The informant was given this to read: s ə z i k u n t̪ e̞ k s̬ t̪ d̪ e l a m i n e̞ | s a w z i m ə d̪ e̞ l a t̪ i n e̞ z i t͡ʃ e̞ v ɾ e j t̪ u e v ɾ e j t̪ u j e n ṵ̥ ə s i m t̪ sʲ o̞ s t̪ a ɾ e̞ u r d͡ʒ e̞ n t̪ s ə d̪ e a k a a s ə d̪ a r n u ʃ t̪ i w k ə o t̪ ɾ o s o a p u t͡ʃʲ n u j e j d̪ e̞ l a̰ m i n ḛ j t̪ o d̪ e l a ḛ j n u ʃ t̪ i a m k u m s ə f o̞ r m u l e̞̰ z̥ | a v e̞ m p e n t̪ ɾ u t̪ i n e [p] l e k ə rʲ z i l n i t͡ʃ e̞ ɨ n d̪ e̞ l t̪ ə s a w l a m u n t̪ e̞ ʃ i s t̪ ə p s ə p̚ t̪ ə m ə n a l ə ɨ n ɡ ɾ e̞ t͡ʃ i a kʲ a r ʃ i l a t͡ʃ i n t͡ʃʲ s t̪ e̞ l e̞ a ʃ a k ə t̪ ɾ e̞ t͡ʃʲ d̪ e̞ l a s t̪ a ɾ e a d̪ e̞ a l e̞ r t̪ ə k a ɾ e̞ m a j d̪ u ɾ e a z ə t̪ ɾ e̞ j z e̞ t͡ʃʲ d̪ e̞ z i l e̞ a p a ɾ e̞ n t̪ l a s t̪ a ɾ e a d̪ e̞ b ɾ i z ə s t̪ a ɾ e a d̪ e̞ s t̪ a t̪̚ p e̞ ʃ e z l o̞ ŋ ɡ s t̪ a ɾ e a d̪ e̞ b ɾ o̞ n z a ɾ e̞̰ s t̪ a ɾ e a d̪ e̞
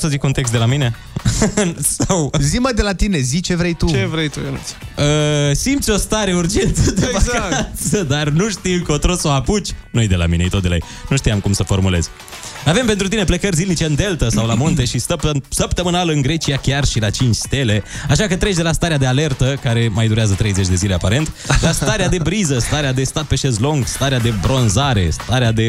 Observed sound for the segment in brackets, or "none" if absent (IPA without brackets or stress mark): p